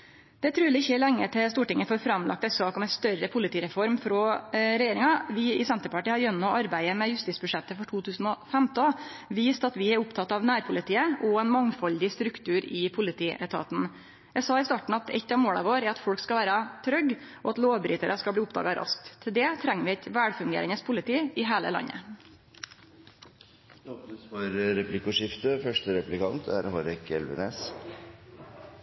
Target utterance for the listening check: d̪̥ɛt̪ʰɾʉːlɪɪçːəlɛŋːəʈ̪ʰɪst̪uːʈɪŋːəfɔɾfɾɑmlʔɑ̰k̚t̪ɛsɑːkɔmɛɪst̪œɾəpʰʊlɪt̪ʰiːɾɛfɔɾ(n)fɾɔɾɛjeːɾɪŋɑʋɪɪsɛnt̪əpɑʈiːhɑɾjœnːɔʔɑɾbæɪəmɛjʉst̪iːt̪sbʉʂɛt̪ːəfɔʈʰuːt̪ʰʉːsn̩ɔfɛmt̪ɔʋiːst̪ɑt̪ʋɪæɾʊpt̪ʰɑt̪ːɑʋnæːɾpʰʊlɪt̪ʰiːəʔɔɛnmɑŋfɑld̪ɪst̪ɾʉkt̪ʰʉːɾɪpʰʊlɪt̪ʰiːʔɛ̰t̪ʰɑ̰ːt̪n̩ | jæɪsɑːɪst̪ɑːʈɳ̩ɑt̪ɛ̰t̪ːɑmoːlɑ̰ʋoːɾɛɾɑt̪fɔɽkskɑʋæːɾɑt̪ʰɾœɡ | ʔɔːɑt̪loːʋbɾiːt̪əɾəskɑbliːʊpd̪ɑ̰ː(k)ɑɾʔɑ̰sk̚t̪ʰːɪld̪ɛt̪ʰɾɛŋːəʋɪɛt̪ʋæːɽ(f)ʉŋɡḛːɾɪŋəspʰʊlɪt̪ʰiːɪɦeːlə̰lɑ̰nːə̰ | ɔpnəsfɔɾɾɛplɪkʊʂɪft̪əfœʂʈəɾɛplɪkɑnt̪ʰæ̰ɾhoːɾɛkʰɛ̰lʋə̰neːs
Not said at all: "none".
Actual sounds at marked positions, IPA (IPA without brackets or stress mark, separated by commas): m, ɡ, f